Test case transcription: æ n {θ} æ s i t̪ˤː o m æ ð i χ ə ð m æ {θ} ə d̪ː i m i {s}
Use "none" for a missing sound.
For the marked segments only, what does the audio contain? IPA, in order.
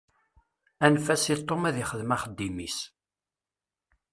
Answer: f, χ, s

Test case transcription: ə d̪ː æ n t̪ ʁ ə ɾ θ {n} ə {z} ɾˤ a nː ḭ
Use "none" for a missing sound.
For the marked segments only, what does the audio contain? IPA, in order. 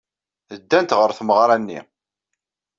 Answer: m, ʁ

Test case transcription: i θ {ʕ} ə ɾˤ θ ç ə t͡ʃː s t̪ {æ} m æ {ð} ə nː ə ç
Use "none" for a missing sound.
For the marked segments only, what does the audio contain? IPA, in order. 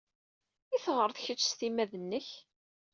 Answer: ʁ, i, ð

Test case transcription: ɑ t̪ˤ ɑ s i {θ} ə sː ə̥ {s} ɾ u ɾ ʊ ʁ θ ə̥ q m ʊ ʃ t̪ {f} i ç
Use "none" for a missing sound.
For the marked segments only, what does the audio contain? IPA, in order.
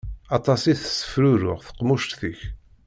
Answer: θ, f, θ

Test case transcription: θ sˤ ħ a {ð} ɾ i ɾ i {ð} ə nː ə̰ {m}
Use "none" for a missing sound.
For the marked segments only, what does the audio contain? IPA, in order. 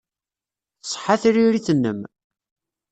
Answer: θ, θ, m

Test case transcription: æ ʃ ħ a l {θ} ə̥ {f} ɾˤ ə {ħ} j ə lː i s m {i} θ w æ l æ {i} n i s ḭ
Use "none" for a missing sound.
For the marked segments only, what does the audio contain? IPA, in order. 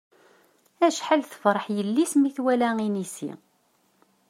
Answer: θ, f, ħ, i, i

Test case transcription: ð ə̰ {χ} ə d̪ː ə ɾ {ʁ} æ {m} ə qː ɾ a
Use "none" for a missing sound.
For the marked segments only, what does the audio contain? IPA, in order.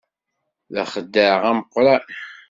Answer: χ, ʁ, m

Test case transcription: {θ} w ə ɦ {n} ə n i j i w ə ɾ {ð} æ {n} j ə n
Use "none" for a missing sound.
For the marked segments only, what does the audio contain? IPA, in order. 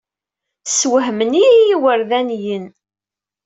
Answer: s, m, ð, n

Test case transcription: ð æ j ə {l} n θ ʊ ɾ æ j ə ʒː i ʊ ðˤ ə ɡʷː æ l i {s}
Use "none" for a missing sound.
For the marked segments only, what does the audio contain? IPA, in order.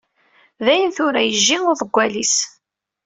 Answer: none, s

